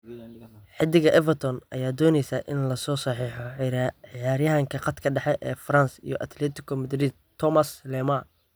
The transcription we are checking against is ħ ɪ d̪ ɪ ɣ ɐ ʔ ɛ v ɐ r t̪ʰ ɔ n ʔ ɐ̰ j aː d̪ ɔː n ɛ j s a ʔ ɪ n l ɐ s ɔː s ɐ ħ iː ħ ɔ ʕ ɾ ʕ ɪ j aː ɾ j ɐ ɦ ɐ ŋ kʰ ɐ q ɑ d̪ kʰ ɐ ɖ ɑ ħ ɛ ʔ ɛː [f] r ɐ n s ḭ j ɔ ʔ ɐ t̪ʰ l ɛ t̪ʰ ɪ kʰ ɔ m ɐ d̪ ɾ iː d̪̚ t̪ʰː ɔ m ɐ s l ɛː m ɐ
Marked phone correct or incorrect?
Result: correct